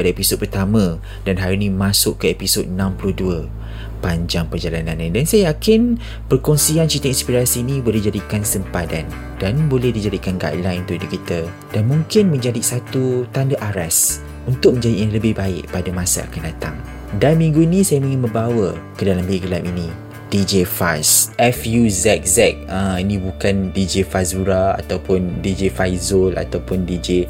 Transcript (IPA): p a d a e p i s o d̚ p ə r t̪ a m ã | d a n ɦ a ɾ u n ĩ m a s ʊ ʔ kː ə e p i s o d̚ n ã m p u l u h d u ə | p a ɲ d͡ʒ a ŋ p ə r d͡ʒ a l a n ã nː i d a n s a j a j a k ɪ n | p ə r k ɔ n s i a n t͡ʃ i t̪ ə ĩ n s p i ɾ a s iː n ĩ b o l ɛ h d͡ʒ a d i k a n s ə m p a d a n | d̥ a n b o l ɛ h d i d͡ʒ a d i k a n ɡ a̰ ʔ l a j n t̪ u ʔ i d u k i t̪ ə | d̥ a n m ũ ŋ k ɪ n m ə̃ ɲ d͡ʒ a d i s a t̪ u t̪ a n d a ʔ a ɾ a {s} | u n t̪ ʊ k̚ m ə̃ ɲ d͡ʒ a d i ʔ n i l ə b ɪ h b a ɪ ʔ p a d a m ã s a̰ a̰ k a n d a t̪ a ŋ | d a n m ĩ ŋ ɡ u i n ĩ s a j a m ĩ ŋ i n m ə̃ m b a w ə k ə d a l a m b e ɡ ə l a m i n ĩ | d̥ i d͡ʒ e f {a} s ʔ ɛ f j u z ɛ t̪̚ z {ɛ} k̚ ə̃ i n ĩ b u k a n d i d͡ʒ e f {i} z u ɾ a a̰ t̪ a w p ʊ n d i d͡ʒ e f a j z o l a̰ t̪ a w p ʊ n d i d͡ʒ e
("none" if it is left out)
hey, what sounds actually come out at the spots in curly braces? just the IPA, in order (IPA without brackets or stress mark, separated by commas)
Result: s, a, ɛ, a